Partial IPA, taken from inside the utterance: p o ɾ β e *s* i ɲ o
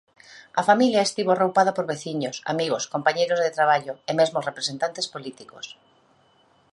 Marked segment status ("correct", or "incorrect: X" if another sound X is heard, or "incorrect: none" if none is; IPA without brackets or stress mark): incorrect: θ